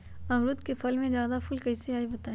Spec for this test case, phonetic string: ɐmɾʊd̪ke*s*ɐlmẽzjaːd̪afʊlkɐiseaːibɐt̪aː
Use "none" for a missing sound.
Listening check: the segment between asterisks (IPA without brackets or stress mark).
f